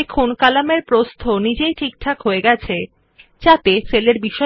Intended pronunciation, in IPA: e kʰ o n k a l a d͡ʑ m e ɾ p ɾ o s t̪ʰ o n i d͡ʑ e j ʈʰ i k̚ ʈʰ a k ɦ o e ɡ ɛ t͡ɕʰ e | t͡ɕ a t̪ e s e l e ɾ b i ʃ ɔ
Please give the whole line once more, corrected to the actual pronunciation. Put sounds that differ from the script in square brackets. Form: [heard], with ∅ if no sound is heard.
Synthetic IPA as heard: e kʰ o n k a l a [∅] m e ɾ p ɾ o s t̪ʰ o n i d͡ʑ e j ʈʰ i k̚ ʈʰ a k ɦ o e ɡ ɛ t͡ɕʰ e | t͡ɕ a t̪ e s e l e ɾ b i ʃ ɔ